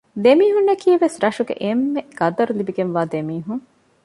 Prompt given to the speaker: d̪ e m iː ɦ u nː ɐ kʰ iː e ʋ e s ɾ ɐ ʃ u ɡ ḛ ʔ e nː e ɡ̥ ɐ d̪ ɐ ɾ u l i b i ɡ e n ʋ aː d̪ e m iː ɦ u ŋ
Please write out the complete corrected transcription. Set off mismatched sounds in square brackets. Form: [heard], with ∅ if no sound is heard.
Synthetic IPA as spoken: d̪ e m iː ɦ u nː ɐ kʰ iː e ʋ e s ɾ ɐ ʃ u ɡ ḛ ʔ e [mː] e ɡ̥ ɐ d̪ ɐ ɾ u l i b i ɡ e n ʋ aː d̪ e m iː ɦ u ŋ

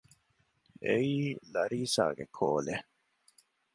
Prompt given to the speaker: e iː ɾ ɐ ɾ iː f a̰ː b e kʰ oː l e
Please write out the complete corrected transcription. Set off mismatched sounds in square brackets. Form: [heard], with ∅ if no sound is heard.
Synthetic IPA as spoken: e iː [l] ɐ ɾ iː [s] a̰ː [ɡ] e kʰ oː l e

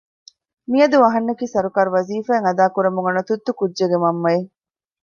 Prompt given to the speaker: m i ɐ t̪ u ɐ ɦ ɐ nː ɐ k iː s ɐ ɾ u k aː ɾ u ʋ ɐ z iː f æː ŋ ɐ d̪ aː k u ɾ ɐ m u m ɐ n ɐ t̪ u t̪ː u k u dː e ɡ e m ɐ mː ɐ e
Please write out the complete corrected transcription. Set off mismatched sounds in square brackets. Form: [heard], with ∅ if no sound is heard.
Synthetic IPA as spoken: m i ɐ [d̪] u ɐ ɦ ɐ nː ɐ k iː s ɐ ɾ u k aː ɾ u ʋ ɐ z iː f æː ŋ ɐ d̪ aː k u ɾ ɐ m u [ŋ] ɐ n ɐ t̪ u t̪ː u k u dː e ɡ e m ɐ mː ɐ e

